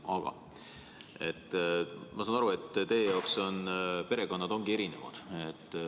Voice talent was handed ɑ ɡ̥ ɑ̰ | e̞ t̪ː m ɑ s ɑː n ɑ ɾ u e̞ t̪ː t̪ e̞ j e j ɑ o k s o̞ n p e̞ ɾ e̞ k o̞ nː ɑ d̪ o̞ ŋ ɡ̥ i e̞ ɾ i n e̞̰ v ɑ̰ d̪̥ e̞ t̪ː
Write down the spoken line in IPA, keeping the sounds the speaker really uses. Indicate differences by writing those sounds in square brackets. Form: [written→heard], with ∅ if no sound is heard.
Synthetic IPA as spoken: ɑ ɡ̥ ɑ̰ | e̞ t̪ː m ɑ s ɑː n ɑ ɾ u e̞ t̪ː t̪ e̞ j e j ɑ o k s o̞ n p e̞ ɾ e̞ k o̞ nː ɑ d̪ o̞ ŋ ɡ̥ i e̞ ɾ i n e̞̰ v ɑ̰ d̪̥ e̞ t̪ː